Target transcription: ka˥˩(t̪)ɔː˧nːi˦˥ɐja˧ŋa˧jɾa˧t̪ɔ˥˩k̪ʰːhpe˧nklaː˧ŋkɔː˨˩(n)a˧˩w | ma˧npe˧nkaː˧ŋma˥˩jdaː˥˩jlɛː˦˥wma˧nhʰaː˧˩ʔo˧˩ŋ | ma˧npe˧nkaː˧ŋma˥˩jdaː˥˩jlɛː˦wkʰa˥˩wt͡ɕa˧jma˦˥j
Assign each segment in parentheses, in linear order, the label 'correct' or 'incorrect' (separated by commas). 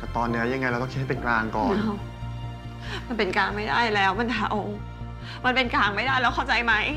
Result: correct, correct